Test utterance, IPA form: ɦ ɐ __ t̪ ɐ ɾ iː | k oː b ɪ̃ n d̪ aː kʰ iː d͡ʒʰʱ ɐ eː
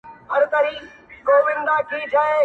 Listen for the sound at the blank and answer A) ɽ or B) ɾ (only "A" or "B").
B